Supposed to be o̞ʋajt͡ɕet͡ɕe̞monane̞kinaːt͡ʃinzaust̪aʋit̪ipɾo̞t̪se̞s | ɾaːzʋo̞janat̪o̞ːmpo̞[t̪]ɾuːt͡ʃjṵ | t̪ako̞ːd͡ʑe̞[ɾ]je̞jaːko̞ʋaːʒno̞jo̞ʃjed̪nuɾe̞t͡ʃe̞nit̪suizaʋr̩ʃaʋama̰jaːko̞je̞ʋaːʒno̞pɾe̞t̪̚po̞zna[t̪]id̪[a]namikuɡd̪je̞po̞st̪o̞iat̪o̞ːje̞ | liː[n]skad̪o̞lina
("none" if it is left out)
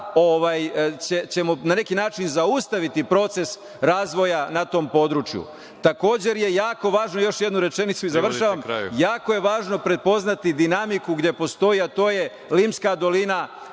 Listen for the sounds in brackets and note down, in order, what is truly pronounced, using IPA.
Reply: d̪, ɾ, t̪, i, m

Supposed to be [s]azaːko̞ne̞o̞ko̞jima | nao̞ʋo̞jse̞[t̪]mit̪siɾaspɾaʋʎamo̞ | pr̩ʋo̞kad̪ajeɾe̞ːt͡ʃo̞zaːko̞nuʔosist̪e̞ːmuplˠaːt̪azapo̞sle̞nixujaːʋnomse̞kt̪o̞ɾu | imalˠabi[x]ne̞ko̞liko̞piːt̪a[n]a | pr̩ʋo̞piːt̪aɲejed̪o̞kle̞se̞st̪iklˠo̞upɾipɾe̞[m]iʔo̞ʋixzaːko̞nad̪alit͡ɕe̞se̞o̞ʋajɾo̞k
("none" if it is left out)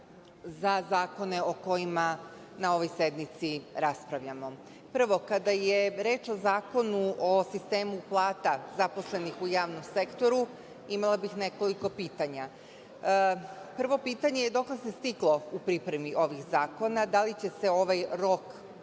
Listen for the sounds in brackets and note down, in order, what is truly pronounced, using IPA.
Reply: z, d̪, x, ɲ, m

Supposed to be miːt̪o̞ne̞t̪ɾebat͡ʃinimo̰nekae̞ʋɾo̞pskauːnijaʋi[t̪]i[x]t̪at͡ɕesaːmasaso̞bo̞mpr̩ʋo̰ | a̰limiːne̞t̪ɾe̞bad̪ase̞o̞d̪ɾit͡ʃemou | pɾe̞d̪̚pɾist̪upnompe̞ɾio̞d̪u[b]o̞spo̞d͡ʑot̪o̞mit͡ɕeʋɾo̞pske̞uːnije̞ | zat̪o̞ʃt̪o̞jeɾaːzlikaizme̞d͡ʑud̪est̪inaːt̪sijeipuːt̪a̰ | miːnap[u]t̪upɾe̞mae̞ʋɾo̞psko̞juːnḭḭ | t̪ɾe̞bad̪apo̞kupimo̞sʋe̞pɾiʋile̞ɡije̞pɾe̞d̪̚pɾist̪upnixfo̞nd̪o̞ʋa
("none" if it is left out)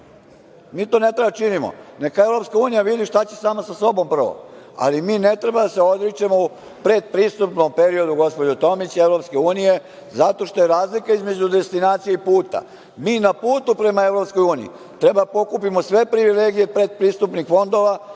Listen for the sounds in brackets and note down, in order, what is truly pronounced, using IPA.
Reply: d̪, ʃ, ɡ, uː

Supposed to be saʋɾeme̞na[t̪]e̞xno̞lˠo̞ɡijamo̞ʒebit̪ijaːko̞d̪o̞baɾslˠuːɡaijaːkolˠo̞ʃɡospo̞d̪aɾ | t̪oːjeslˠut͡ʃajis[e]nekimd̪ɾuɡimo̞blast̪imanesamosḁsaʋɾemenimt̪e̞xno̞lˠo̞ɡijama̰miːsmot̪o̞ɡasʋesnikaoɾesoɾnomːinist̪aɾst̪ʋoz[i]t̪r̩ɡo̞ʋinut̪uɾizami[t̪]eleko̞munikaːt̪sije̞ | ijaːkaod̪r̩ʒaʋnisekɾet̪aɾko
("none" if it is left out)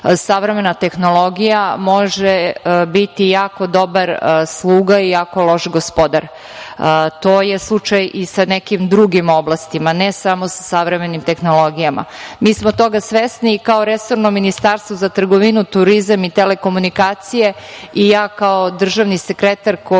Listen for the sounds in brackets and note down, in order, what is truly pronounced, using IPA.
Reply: t̪, a, a, t̪

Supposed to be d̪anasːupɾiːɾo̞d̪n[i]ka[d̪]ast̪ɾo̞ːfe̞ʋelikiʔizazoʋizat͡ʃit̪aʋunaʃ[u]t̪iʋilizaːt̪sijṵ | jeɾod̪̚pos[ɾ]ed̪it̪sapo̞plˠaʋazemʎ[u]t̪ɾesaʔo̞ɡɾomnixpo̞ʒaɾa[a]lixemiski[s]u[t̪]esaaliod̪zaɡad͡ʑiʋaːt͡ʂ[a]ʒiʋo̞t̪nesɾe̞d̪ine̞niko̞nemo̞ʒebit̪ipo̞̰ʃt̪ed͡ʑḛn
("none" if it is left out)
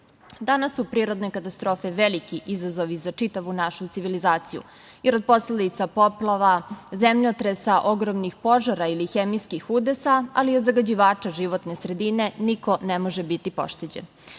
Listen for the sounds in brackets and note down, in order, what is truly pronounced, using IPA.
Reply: e, t̪, u, l, o, i, x, d̪, a

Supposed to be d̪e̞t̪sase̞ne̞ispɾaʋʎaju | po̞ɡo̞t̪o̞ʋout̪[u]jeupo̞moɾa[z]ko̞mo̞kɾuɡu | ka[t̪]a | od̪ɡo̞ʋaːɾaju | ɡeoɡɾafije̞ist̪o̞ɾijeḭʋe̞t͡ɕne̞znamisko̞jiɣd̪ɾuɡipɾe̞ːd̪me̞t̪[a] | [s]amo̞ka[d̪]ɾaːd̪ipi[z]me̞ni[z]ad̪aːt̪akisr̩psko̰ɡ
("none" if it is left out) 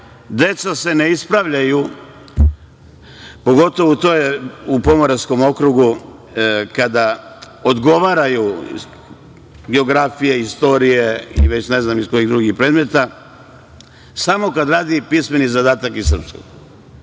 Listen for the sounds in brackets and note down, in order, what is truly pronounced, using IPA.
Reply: o, s, d̪, a, s, d̪, s, z

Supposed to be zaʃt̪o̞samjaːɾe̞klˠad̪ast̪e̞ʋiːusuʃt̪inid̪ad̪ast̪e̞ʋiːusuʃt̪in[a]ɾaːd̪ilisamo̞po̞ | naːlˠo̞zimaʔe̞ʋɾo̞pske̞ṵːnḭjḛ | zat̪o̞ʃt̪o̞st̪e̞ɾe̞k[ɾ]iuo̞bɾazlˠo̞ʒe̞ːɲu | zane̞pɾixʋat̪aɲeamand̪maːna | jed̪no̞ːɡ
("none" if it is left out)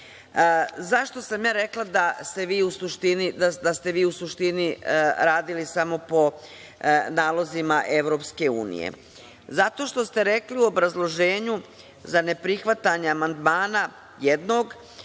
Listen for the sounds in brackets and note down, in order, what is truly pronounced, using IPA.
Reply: i, l

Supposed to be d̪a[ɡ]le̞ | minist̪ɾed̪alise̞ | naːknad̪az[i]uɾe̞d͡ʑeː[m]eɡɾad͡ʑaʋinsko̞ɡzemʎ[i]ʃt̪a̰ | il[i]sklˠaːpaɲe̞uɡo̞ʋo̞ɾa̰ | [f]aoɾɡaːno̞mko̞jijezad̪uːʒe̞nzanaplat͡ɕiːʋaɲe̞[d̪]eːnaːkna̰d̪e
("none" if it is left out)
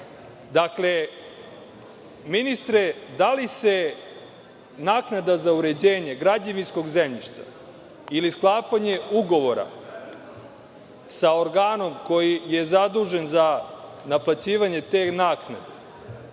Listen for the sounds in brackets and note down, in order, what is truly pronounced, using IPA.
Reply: k, a, ɲ, i, i, s, t̪

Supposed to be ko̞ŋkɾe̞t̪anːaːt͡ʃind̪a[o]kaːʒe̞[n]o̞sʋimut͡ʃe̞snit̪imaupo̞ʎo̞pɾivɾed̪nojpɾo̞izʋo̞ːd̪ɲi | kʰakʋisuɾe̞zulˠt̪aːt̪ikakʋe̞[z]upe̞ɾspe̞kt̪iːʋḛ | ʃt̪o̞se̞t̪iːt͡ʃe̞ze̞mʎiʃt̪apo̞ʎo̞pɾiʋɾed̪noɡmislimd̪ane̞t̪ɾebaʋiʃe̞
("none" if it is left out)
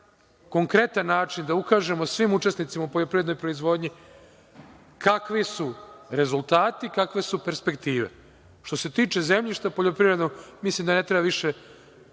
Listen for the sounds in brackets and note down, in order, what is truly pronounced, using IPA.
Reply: u, m, s

